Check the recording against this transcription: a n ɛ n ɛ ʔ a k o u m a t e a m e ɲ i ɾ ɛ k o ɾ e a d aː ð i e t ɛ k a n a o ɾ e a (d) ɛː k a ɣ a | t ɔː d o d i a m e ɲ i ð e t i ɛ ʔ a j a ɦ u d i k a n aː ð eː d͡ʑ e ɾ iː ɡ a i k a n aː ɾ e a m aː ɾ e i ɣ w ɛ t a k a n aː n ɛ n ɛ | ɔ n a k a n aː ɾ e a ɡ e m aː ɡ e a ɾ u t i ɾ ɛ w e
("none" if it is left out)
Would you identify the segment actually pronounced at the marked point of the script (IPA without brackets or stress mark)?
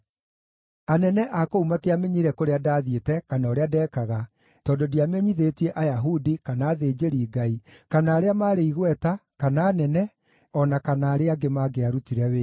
d